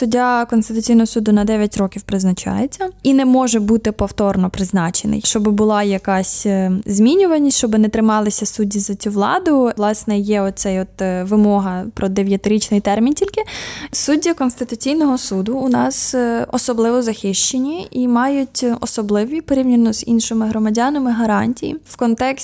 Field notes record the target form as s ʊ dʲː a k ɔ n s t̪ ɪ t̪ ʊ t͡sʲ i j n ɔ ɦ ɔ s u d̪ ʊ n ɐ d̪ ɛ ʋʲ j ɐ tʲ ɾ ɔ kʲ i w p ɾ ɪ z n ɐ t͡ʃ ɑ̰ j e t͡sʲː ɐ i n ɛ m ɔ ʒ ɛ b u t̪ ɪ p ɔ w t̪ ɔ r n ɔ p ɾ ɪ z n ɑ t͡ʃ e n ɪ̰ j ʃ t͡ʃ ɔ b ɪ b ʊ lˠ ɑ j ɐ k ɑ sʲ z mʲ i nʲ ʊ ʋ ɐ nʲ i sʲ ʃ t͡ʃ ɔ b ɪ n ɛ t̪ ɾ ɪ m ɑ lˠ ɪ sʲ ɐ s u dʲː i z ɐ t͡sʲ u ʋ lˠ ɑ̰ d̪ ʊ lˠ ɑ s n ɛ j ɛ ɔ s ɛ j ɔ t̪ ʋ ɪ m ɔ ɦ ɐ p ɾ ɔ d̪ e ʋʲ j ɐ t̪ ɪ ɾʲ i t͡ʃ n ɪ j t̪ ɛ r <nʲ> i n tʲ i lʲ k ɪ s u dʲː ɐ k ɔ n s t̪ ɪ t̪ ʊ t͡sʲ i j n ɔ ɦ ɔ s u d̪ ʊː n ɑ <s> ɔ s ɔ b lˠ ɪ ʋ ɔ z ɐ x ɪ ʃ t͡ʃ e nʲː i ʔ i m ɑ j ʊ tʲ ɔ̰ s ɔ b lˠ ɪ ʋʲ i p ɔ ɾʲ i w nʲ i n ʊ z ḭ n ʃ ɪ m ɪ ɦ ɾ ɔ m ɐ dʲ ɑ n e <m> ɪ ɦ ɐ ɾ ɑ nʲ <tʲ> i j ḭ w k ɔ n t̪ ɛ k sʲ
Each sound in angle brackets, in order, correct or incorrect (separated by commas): incorrect, correct, correct, correct